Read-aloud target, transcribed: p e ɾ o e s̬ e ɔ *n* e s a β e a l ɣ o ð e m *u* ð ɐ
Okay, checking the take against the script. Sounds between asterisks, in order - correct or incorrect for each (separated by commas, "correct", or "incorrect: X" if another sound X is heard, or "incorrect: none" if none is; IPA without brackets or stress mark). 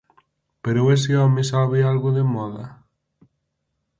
incorrect: m, incorrect: ɔ